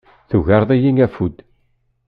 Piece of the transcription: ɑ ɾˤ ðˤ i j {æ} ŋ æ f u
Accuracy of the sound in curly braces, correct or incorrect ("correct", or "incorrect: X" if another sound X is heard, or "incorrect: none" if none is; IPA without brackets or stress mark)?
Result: incorrect: i